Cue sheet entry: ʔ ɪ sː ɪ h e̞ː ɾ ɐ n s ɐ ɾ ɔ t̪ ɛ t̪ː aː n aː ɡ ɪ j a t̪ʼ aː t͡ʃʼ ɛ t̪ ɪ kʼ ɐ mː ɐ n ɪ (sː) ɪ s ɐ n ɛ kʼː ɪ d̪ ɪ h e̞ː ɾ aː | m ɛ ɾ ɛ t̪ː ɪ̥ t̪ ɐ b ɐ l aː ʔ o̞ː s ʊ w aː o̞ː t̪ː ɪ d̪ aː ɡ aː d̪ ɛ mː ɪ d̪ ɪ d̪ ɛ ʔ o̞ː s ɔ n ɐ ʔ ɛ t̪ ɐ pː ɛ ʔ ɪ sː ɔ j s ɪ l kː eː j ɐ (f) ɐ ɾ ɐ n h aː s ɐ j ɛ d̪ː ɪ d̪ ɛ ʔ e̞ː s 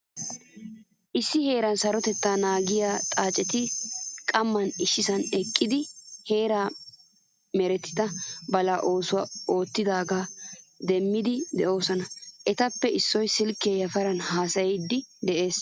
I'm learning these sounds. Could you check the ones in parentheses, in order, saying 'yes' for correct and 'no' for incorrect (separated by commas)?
no, yes